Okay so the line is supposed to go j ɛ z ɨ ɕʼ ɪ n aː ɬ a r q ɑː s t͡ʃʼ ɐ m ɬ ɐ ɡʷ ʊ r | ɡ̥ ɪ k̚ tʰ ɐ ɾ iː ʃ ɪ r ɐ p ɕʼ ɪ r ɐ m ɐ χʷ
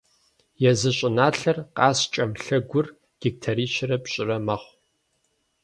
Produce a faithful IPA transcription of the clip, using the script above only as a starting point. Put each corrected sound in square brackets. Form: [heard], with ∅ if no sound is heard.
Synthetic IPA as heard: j ɛ z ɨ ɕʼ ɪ n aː ɬ [ɐ] r q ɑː s t͡ʃʼ ɐ m ɬ ɐ ɡʷ ʊ r | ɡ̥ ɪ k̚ tʰ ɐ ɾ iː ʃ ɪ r ɐ p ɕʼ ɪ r ɐ m ɐ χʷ